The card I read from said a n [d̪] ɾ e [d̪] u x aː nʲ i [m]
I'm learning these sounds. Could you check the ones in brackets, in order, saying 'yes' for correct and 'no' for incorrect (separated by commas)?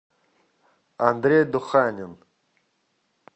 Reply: yes, yes, no